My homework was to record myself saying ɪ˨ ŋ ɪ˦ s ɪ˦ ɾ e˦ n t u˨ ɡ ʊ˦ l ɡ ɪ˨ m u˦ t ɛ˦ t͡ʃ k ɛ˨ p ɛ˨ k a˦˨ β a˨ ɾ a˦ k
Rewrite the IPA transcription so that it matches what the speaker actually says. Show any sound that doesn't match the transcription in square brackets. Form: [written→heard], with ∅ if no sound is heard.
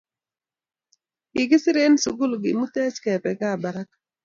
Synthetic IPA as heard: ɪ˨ [ŋ→ɡ] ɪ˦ s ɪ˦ ɾ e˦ n [t→s] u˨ ɡ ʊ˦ l ɡ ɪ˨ m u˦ t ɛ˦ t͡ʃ k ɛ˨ p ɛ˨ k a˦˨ [β→b] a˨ ɾ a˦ k